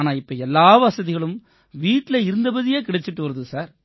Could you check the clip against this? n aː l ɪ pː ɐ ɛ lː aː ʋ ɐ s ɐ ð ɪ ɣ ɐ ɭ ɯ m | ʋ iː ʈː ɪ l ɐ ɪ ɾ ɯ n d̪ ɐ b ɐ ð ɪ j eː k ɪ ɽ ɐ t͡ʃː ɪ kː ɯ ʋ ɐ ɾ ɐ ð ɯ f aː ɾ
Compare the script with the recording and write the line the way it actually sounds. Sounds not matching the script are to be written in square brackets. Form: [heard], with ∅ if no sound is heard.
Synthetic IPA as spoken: n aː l ɪ pː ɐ ɛ lː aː ʋ ɐ s ɐ ð ɪ ɣ ɐ ɭ ɯ m | ʋ iː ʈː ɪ l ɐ ɪ ɾ ɯ n d̪ ɐ b ɐ ð ɪ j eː k ɪ ɽ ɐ t͡ʃː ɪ [ʈː] ɯ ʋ ɐ ɾ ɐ ð ɯ [s] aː ɾ